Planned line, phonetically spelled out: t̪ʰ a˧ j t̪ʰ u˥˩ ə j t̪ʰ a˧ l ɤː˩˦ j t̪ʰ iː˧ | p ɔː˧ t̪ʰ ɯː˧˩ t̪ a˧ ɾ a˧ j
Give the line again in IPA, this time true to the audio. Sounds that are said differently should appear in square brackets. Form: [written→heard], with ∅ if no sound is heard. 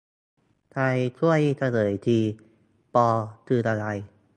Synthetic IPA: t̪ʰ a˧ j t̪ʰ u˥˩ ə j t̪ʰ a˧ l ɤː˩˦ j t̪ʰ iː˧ | p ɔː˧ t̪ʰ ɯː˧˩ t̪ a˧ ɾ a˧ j